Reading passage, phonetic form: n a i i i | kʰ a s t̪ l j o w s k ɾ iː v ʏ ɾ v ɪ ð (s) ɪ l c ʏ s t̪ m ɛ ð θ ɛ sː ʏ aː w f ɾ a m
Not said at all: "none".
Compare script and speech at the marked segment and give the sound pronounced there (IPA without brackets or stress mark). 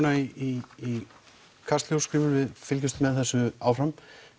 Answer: f